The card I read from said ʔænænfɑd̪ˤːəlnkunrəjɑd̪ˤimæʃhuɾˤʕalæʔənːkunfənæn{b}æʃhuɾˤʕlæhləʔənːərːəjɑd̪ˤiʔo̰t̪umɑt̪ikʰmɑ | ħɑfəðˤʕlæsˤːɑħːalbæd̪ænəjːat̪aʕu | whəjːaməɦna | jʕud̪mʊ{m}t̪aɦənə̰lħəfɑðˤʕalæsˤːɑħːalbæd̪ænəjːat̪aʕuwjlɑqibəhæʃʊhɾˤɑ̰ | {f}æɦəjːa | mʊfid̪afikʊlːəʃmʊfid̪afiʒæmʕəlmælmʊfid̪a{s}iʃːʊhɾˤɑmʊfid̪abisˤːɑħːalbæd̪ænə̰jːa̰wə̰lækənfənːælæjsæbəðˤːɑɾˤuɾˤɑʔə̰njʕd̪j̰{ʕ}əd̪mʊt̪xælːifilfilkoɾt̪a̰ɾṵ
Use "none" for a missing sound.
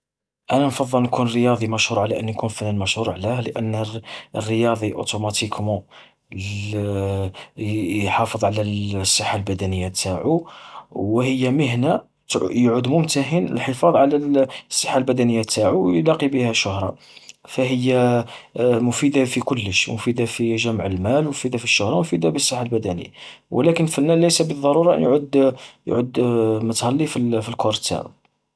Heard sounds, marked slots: m, m, f, f, ʕ

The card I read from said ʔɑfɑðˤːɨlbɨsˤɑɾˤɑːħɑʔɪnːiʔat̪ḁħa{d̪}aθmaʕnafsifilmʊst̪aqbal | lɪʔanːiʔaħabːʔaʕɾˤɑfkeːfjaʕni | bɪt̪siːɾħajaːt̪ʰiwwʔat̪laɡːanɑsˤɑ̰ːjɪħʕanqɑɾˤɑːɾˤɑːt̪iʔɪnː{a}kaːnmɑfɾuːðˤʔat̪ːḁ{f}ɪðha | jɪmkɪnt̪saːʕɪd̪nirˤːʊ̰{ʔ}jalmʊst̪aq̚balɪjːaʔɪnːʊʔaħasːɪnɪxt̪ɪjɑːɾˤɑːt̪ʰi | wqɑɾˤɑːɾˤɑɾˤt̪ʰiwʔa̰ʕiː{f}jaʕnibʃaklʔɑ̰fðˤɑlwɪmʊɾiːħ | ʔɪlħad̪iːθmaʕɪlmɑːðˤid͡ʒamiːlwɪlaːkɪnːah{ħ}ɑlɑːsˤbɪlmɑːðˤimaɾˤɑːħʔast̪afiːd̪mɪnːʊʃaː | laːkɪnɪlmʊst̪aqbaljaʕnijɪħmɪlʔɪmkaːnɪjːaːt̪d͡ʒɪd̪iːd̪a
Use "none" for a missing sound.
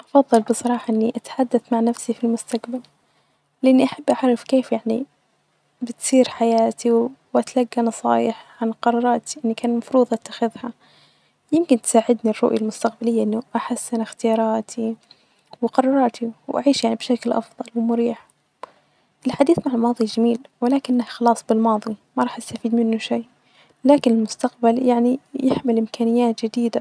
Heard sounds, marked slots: d̪ː, i, x, ʔ, ʃ, x

